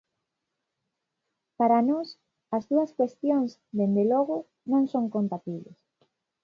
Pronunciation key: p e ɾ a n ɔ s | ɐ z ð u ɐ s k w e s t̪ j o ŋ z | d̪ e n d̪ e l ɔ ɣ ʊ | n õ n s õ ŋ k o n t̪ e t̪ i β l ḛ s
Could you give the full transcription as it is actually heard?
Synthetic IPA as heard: p a ɾ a n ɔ s | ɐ z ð u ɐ s k w e s t̪ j o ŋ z | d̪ e n d̪ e l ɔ ɣ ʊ | n õ ŋ s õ ŋ k o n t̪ a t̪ i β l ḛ s

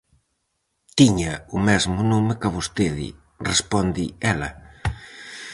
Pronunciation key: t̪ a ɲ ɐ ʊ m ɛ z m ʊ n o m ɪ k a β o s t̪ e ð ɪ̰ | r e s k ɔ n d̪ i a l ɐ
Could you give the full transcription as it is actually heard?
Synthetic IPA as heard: t̪ i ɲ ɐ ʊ m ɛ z m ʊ n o m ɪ k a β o s t̪ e ð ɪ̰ | r e s p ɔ n d̪ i ɛ l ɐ

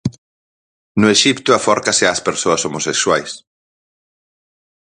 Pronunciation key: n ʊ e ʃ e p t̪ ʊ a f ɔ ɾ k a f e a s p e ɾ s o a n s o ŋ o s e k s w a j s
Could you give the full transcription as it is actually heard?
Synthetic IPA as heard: n ʊ e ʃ i p t̪ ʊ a f ɔ ɾ k a s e a s p e ɾ s o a s o m o s e k s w a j s

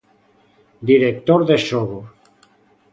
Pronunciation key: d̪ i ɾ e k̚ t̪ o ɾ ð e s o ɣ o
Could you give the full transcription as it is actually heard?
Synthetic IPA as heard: d̪ i ɾ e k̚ t̪ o ɾ ð e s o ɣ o

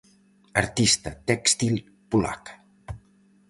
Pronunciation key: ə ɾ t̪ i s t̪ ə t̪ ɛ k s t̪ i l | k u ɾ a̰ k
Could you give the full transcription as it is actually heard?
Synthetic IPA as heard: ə ɾ t̪ i s t̪ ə t̪ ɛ k s t̪ i l | p u l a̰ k

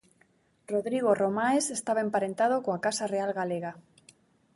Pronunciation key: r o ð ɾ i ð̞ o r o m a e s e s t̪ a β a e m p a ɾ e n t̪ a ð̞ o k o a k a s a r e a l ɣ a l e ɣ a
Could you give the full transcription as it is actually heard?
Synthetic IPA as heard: r o ð ɾ i ɣ̞ o r o m a e s e s t̪ a β a e m p a ɾ e n t̪ a ð̞ o k o a k a s a r e a l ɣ a l e ɣ a

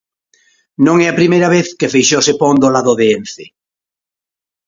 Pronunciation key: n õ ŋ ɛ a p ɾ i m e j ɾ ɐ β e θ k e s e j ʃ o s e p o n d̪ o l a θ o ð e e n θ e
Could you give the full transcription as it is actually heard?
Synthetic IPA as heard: n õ ŋ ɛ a p ɾ i m e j ɾ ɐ β e θ k e f e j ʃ o s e p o n d̪ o l a ð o ð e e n θ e

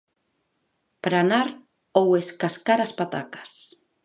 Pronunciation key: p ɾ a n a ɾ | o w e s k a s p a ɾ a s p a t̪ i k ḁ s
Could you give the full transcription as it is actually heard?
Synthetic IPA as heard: p ɾ a n a ɾ | o w e s k a s k a ɾ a s p a t̪ a k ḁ s

